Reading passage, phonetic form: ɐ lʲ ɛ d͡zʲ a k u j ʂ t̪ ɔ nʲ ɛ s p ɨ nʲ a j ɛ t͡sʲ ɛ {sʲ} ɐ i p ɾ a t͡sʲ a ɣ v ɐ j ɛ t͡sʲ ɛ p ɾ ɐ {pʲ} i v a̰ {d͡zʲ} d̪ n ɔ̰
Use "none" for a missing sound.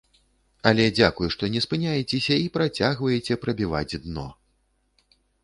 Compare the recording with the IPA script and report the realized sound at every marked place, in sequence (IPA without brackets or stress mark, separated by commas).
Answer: sʲ, bʲ, d͡zʲ